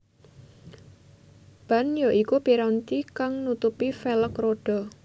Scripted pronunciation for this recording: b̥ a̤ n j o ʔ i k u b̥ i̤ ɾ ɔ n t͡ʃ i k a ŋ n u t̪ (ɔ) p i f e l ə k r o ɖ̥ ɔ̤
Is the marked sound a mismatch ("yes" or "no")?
yes